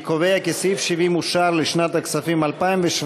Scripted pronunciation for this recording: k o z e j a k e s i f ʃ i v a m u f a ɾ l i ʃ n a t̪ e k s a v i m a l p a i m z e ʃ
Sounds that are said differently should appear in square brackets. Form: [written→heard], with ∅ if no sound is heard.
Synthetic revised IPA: k o [z→v] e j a k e s i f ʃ i v [a→i] m u [f→ʃ] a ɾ l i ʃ n a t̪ [e→a] k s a [v→f] i m a l p a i m [z→v] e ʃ